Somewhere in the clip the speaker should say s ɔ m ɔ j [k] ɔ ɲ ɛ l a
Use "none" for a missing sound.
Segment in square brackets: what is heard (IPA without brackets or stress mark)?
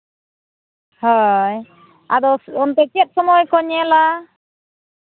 k